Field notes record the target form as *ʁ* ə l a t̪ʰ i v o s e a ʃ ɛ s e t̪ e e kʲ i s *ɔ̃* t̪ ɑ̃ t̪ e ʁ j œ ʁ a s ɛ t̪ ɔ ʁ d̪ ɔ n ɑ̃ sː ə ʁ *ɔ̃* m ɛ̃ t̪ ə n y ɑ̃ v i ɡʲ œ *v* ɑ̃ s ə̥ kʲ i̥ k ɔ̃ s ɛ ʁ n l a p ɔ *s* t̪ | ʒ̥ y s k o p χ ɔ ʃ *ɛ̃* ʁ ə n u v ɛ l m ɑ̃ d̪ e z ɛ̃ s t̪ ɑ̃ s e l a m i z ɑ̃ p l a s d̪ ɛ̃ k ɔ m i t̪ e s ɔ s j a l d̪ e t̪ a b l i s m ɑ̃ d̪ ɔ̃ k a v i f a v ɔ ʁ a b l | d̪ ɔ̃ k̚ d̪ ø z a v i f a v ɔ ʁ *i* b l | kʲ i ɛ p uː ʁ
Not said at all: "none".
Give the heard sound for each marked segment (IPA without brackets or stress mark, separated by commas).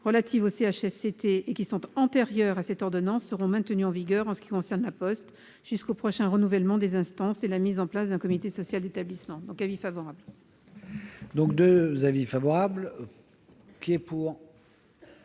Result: ʁ, ɔ̃, ɔ̃, ʁ, s, ɛ̃, a